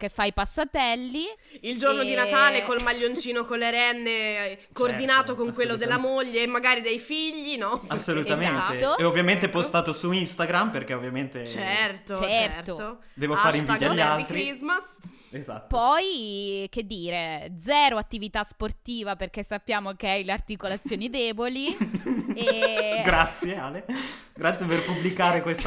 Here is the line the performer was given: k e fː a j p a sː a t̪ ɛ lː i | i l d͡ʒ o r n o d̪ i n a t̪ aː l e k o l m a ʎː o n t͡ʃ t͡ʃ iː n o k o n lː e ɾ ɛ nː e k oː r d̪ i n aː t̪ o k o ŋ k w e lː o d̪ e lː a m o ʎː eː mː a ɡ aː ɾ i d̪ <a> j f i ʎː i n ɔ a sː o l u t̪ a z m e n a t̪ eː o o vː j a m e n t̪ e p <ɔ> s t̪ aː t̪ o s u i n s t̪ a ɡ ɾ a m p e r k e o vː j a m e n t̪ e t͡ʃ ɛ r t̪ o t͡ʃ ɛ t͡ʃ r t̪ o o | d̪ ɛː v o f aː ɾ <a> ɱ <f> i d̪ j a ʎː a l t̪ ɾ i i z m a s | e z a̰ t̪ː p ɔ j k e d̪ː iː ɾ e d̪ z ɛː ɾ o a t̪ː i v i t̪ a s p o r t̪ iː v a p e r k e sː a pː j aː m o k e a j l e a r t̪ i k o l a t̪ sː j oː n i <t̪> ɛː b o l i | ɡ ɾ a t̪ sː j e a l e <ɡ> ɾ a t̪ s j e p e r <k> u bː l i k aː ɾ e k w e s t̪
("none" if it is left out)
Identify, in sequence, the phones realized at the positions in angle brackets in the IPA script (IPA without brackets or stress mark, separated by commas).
e, o, i, v, d̪, ɡ, p